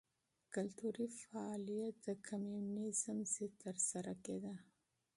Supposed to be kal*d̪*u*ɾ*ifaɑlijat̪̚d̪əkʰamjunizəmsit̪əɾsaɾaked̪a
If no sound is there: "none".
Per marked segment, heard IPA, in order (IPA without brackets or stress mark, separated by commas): t̪, ɾ